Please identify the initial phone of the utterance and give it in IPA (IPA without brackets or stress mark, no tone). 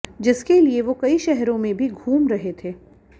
d͡ʒ